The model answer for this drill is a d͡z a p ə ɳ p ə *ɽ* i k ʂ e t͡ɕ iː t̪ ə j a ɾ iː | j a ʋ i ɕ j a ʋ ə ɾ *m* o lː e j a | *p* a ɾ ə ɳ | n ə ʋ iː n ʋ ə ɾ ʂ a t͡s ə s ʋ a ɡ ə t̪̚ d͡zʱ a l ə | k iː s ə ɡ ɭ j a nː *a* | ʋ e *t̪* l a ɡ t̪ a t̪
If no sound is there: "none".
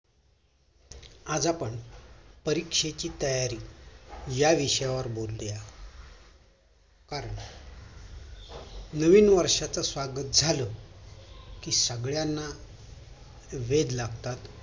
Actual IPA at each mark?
ɾ, b, k, a, d̪

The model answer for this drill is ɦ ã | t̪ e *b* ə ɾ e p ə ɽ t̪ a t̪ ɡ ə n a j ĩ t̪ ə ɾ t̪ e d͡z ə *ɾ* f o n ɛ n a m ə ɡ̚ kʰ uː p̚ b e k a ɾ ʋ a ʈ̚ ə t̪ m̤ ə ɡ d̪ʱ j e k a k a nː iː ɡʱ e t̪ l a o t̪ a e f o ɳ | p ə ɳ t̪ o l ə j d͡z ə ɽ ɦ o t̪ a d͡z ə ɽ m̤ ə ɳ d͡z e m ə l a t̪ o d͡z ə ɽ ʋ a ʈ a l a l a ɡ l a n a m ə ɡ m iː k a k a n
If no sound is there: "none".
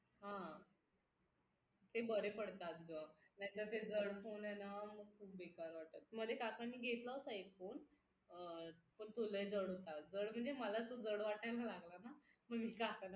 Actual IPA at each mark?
b, ɽ

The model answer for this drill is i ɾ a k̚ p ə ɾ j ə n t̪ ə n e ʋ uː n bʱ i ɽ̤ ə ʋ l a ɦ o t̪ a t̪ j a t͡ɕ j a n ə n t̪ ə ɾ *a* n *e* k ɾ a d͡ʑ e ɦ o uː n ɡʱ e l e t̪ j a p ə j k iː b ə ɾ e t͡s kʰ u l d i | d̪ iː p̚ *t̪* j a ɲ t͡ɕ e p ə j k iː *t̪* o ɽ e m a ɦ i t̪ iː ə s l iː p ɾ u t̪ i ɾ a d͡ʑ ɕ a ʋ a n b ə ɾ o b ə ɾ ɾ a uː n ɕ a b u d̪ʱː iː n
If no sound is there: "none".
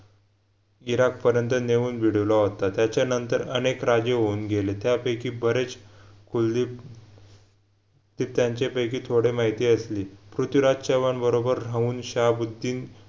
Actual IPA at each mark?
ə, e, t̪, t̪ʰ

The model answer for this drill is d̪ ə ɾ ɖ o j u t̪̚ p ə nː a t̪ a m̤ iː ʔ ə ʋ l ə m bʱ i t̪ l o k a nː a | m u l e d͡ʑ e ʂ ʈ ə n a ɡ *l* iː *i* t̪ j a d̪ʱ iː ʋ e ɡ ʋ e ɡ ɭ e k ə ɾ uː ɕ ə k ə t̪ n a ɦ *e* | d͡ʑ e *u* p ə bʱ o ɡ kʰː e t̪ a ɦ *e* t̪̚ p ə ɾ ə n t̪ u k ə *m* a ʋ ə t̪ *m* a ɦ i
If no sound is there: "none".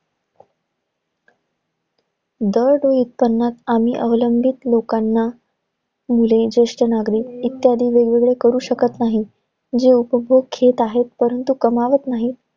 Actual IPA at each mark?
ɾ, i, i, u, e, m, n

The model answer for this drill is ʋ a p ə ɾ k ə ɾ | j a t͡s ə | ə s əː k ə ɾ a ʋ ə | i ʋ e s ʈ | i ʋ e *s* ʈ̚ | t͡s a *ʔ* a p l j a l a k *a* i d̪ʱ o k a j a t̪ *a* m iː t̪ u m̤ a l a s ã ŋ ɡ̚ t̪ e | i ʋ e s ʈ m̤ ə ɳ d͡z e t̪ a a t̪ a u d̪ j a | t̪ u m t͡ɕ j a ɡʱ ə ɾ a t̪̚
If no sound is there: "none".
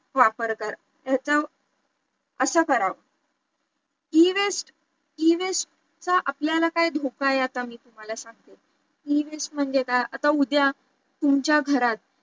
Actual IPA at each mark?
s, ʔ, a, a

